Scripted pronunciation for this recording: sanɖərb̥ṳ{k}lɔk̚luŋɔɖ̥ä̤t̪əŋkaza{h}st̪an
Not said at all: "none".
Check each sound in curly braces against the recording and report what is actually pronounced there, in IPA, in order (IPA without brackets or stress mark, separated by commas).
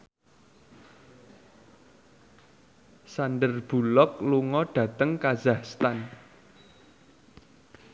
none, h